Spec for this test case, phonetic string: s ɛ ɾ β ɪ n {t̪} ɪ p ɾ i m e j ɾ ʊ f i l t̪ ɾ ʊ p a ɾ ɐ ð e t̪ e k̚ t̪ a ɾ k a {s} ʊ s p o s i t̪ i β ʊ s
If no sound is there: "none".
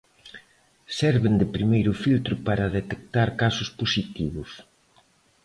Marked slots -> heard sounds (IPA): d̪, s

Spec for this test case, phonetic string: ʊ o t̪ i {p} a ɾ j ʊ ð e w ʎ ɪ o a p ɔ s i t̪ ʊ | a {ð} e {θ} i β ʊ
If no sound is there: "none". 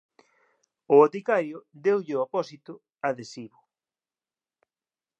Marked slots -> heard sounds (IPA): k, ð, s

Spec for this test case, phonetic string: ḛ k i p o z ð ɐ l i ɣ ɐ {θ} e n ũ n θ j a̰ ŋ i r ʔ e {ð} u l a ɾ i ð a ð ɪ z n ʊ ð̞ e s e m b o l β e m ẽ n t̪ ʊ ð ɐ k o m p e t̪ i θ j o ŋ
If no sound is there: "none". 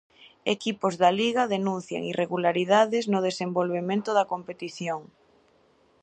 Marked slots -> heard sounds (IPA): ð, ɣ

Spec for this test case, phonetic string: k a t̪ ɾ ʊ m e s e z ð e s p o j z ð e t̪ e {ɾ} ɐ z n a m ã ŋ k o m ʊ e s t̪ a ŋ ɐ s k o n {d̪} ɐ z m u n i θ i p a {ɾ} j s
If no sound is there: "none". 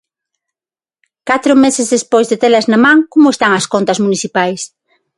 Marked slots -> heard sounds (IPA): l, t̪, none

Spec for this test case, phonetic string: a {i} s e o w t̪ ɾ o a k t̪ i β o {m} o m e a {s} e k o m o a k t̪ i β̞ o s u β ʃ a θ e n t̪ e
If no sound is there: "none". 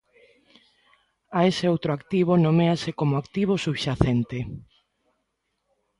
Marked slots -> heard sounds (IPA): e, n, s

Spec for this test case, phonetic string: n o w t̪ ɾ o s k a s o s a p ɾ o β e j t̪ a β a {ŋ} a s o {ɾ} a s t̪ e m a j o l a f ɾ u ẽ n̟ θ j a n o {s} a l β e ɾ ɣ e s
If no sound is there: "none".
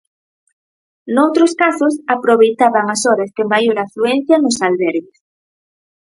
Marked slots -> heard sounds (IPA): ŋ, ɾ, s

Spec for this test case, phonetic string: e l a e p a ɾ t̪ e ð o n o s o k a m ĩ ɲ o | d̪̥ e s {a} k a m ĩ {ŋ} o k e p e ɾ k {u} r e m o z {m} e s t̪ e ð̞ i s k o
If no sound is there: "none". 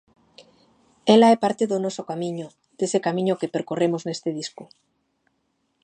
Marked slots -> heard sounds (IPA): e, ɲ, o, n

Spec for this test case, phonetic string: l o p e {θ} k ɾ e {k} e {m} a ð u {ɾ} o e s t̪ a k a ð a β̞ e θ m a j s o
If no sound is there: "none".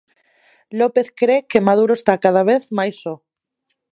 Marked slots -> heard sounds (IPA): θ, k, m, ɾ

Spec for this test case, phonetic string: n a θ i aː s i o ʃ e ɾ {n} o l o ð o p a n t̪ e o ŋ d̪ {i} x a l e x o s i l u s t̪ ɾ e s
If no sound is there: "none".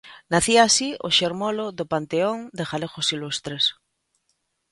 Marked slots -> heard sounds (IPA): m, e

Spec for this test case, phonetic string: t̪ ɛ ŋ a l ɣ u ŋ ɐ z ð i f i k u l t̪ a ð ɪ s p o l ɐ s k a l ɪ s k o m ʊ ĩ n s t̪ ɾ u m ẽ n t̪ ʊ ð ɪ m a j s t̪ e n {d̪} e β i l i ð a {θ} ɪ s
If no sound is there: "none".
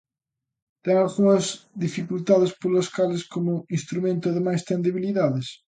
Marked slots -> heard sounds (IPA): d̪, ð

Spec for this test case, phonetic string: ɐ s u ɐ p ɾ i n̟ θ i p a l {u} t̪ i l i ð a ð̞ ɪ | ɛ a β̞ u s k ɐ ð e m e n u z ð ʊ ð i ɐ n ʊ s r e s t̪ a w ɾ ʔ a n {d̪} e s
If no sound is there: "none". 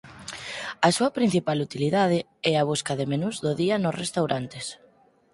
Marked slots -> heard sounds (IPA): u, t̪

